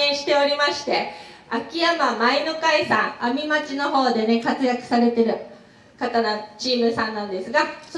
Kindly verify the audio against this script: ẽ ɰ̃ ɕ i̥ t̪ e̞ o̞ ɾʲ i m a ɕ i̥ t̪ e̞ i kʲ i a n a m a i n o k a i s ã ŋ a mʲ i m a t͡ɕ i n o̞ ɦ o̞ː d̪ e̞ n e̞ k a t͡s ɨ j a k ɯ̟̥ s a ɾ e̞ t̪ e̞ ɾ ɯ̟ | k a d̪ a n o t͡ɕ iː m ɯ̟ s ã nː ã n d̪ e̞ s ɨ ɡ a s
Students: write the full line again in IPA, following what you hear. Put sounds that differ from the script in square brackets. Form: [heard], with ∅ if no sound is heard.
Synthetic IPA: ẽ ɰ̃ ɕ i̥ t̪ e̞ o̞ ɾʲ i m a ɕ i̥ t̪ e̞ [a] kʲ i a [m] a m a i n o k a i s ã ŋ a mʲ i m a t͡ɕ i n o̞ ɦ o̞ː d̪ e̞ n e̞ k a t͡s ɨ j a k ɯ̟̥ s a ɾ e̞ t̪ e̞ ɾ ɯ̟ | k a [t̪] a n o t͡ɕ iː m ɯ̟ s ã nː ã n d̪ e̞ s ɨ ɡ a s